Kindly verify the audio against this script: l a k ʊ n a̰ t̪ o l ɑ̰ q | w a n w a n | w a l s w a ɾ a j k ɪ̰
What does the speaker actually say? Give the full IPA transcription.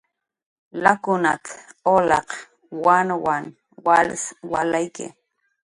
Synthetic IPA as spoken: l a k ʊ n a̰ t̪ o l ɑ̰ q | w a n w a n | w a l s w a l a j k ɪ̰